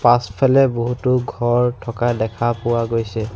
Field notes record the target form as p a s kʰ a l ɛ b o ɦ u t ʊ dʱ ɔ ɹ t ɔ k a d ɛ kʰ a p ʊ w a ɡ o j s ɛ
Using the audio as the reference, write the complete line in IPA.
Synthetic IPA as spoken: p a s pʰ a l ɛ b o ɦ u t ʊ ɡʱ ɔ ɹ tʰ ɔ k a d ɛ kʰ a p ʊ w a ɡ o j s ɛ

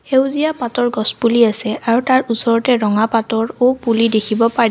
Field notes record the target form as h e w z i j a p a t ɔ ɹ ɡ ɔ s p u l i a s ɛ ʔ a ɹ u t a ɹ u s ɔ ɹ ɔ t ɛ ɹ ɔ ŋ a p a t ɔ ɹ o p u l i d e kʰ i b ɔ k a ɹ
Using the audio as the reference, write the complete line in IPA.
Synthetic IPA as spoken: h e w z i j a p a t ɔ ɹ ɡ ɔ s p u l i a s ɛ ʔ a ɹ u t a ɹ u s ɔ ɹ ɔ t ɛ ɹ ɔ ŋ a p a t ɔ ɹ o p u l i d e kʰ i b ɔ p a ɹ

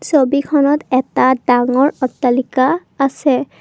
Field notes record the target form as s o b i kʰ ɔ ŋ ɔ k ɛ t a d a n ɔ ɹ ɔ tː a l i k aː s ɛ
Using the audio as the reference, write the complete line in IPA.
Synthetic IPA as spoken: s o b i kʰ ɔ n ɔ t ɛ t a d a ŋ ɔ ɹ ɔ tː a l i k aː s ɛ

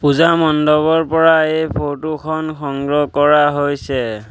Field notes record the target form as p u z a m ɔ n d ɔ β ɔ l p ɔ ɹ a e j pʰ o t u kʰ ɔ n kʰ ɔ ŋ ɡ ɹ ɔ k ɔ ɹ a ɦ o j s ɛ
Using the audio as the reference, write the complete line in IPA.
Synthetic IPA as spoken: p u z a m ɔ n d ɔ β ɔ ɹ p ɔ ɹ a e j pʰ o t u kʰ ɔ n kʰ ɔ ŋ ɡ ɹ ɔ k ɔ ɹ a ɦ o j s ɛ

